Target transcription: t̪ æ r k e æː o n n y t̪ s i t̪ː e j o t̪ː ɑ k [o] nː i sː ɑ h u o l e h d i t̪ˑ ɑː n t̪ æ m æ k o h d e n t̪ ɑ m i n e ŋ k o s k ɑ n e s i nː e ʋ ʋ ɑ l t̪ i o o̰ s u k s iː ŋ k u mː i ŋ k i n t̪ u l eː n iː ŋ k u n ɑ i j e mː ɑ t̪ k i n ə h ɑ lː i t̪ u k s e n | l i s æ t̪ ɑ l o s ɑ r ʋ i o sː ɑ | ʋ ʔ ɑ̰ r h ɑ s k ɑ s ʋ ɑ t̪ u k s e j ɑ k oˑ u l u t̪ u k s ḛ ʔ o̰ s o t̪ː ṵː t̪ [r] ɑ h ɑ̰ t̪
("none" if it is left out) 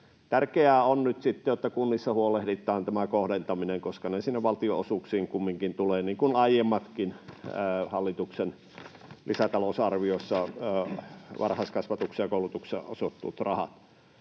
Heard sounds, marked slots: u, r

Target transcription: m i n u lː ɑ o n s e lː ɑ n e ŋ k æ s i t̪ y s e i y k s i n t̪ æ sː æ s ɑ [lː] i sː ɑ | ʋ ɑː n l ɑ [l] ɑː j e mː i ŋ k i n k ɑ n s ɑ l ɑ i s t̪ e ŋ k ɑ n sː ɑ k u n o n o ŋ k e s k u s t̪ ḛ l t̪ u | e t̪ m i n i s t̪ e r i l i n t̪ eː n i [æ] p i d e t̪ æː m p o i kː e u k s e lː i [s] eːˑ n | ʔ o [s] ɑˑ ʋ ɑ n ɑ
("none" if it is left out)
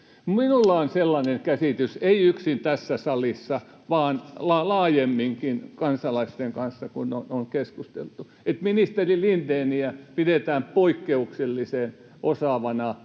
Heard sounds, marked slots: l, l, æ, s, s

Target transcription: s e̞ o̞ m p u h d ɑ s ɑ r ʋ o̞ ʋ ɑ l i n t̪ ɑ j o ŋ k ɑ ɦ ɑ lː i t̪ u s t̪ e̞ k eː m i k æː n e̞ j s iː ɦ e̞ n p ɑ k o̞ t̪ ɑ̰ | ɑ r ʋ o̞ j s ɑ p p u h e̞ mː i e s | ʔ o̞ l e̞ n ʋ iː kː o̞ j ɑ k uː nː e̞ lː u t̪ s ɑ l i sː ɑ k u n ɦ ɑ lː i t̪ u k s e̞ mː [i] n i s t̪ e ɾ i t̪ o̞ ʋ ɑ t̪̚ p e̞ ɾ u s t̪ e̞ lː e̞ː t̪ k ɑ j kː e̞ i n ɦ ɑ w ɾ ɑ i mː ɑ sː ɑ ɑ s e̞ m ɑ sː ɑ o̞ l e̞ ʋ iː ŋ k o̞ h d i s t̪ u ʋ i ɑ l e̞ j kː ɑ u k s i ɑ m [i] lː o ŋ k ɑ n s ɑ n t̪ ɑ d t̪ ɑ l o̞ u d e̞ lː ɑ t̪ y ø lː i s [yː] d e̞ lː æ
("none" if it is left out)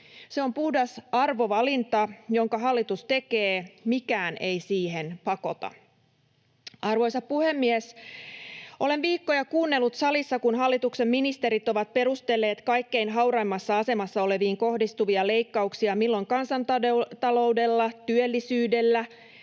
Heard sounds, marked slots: i, i, yː

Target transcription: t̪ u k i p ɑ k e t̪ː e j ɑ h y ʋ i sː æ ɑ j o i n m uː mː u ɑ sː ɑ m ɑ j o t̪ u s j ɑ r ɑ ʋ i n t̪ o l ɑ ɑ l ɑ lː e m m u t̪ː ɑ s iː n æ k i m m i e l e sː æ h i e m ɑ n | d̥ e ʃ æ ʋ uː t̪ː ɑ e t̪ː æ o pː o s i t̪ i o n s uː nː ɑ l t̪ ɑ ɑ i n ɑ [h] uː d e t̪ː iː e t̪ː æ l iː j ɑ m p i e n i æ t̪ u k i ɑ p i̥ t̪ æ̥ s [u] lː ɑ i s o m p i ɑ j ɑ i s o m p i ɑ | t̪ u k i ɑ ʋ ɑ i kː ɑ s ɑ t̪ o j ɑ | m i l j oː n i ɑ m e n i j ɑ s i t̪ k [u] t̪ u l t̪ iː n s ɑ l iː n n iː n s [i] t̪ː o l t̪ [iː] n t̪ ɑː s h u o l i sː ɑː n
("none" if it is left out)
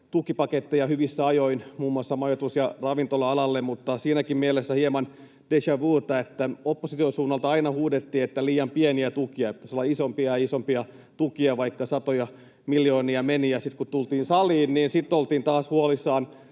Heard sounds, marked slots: h, o, u, i, iː

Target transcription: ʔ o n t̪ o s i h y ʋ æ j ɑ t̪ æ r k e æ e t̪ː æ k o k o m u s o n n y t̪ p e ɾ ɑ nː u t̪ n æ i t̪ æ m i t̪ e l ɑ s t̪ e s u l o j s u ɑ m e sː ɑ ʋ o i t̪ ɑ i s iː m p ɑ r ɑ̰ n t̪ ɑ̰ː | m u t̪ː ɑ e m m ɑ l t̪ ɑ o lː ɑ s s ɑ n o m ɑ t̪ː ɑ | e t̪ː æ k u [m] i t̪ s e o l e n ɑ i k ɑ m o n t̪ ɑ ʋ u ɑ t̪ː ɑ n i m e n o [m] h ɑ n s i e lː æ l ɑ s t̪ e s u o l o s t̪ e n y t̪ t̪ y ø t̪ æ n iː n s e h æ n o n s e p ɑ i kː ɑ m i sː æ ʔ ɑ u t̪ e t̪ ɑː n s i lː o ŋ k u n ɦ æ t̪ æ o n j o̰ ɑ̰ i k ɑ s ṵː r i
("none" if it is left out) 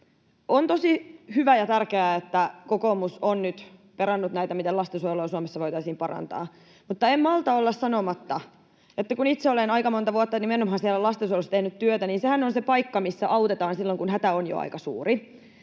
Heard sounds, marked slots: n, m

